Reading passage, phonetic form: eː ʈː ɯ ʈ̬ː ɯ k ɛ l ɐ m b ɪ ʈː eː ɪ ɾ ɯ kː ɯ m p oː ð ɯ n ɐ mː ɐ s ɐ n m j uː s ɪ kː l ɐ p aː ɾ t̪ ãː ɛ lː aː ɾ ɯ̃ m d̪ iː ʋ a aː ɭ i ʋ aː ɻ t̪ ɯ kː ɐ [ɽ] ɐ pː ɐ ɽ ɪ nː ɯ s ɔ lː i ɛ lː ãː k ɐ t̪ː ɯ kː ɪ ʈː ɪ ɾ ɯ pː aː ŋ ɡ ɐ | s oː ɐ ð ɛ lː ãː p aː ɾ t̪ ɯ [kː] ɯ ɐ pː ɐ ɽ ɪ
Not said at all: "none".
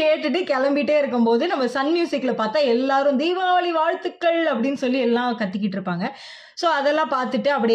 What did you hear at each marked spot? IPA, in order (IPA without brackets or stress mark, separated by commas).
ɭ, ʈː